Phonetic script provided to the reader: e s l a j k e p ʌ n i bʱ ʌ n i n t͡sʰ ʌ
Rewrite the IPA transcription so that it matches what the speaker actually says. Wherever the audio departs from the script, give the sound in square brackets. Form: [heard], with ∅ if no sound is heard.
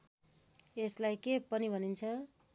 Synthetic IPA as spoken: e s l a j k e p ʌ n i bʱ ʌ n i n t͡sʰ ʌ